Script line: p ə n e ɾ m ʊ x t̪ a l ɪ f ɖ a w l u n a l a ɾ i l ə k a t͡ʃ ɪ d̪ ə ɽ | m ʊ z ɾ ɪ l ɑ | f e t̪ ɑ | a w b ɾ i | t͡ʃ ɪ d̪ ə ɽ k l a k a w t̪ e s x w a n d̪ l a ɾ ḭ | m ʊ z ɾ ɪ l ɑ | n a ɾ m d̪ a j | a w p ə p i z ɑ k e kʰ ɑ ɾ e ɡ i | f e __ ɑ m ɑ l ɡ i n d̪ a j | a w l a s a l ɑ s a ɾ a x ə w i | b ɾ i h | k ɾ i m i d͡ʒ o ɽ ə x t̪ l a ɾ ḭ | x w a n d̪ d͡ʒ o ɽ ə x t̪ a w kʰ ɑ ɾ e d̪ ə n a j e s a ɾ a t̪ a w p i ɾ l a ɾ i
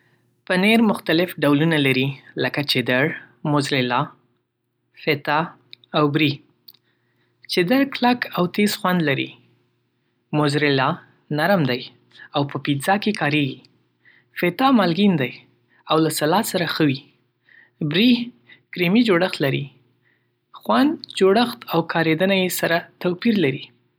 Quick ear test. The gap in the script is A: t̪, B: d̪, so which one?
A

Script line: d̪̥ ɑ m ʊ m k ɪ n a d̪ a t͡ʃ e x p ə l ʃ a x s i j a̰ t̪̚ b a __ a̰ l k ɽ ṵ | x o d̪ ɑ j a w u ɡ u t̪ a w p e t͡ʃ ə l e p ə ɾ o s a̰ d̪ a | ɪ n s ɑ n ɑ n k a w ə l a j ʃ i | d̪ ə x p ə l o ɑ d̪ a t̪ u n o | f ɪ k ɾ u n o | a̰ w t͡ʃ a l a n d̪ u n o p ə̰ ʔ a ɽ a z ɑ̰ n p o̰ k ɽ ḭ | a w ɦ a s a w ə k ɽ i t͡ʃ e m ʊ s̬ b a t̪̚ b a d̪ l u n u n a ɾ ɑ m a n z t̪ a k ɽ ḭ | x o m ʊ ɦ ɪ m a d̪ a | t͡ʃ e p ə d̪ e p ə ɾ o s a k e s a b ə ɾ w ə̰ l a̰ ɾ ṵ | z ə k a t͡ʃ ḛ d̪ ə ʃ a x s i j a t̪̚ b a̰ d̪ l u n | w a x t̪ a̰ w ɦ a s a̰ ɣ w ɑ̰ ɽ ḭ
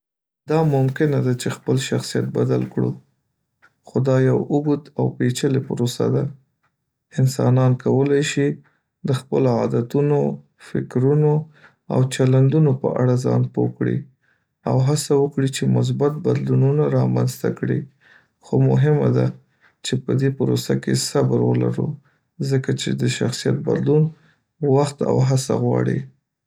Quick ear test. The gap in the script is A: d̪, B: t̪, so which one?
A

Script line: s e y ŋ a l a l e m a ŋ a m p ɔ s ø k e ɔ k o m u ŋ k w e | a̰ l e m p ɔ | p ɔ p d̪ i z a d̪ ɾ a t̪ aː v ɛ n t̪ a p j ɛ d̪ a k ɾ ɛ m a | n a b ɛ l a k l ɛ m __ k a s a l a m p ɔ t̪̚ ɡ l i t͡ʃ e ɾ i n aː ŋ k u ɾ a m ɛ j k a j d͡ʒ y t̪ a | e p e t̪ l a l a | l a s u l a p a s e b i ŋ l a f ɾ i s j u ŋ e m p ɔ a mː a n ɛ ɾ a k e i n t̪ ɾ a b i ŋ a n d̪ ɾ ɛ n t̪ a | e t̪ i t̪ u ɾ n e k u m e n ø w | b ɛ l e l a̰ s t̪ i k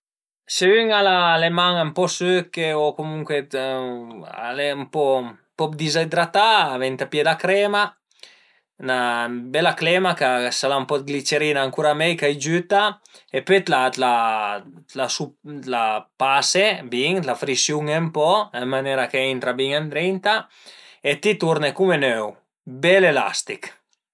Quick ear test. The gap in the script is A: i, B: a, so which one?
B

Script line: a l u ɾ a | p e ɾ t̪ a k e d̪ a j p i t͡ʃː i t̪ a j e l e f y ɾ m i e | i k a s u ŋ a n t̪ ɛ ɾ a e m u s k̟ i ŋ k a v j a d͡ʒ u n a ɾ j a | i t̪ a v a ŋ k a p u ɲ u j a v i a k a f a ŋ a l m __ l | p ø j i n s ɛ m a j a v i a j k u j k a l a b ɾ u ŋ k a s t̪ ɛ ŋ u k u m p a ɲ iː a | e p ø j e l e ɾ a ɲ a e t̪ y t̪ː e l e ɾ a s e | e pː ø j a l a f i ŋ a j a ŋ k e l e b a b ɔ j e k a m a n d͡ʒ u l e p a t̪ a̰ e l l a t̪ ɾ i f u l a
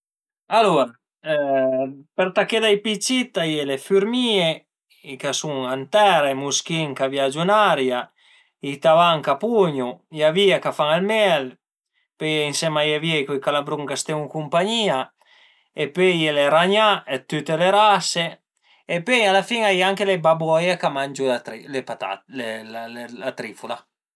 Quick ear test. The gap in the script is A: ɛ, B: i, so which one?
A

